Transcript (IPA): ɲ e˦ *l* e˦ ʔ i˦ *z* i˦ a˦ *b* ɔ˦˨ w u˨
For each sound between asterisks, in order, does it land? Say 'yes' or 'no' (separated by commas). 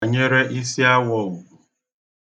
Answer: no, no, no